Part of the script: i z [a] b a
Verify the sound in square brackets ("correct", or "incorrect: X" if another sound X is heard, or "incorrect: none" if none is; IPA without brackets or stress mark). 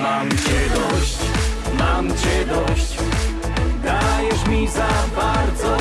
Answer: correct